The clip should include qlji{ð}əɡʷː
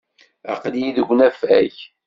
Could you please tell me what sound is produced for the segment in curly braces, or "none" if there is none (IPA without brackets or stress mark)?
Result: ð